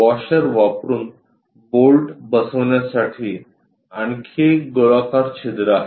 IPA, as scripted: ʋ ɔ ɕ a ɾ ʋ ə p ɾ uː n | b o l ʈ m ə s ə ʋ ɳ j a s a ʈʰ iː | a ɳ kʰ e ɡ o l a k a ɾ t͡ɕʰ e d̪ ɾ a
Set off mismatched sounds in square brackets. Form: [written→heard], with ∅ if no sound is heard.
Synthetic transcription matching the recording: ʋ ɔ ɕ [a→ə] ɾ ʋ [ə→a] p ɾ uː n | b o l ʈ [m→b] ə s ə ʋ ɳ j a s a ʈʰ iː | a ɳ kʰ e ɡ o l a k a ɾ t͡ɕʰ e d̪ ɾ a

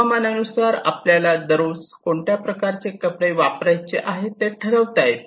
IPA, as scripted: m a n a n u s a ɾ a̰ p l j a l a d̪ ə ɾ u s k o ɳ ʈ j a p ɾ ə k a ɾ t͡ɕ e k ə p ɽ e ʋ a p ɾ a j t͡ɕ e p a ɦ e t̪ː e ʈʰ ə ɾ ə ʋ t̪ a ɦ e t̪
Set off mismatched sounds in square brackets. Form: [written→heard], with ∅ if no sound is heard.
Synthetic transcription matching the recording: m a n a n u s a ɾ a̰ p l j a l a d̪ ə ɾ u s k o ɳ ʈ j a p ɾ ə k a ɾ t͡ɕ e k ə p ɽ e ʋ a p ɾ a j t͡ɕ e [p→ʔ] a ɦ e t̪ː e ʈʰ ə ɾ ə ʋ t̪ a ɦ e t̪

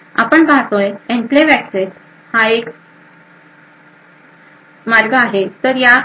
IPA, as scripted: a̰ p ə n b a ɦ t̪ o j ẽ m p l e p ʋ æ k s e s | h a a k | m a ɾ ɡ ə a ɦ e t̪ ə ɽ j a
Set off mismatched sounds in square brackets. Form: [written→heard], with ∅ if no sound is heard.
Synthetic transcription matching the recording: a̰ p ə [n→ɳ] b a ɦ t̪ o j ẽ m p l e [p→∅] ʋ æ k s e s | h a [a→e] k | m a ɾ ɡ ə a ɦ e t̪ ə [ɽ→ɾ] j a

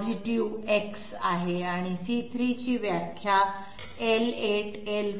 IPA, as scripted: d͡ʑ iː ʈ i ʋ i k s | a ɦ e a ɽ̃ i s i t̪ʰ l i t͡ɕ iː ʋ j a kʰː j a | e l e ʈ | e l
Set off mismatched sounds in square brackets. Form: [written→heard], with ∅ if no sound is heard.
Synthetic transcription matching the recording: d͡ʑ [iː→i] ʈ i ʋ [i→e] k s | a ɦ e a ɽ̃ i s i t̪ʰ [l→ɾ] i t͡ɕ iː ʋ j a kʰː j a | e l e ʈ | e l

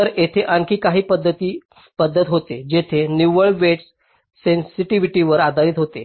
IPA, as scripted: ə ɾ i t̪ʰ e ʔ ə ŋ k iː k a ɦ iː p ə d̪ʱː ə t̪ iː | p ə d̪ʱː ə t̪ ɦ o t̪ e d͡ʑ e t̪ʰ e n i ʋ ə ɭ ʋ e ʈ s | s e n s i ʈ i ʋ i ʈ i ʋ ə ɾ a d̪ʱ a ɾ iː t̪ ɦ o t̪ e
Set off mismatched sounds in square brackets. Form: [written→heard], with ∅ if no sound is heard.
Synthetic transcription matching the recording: ə ɾ [i→e] t̪ʰ e ʔ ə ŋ k iː k a ɦ iː p ə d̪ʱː ə t̪ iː | p ə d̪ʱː ə t̪ ɦ o t̪ e d͡ʑ e t̪ʰ e n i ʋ ə ɭ ʋ e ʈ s | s e n s i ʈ i ʋ i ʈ i ʋ ə ɾ a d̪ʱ a ɾ iː t̪ ɦ o t̪ e

